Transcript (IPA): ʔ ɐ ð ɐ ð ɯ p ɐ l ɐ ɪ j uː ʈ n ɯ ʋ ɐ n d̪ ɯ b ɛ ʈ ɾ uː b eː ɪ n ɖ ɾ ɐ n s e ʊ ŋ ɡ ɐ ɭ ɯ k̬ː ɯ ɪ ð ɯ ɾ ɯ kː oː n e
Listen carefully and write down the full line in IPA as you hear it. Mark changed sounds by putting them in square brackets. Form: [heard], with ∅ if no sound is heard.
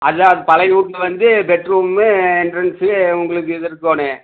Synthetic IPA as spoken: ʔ ɐ ð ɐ ð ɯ p ɐ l ɐ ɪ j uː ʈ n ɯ ʋ ɐ n d̪ ɯ b ɛ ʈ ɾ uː [m] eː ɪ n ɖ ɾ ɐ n s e ʊ ŋ ɡ ɐ ɭ ɯ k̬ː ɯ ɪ ð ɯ ɾ ɯ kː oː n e